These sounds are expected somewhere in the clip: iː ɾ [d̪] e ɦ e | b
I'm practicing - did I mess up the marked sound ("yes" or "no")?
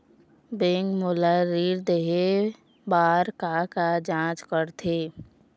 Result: no